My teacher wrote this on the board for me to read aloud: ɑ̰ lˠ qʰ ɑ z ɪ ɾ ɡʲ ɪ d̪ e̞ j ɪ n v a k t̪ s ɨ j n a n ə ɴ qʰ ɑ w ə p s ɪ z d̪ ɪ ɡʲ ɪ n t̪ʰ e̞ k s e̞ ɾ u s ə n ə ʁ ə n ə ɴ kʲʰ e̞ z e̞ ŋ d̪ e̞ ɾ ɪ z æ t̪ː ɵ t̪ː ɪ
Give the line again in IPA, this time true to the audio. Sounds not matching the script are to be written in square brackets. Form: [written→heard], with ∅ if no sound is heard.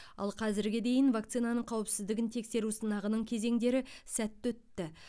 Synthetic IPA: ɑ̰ lˠ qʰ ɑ z ɪ ɾ ɡʲ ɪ d̪ e̞ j ɪ n v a k t̪ s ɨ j n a n ə ɴ qʰ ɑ w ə p s ɪ z d̪ ɪ ɡʲ ɪ n t̪ʰ e̞ k s e̞ ɾ u s ə n [ə→ɑ] ʁ ə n ə ɴ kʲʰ e̞ z e̞ ŋ d̪ e̞ ɾ ɪ [z→s] æ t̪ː ɵ t̪ː ɪ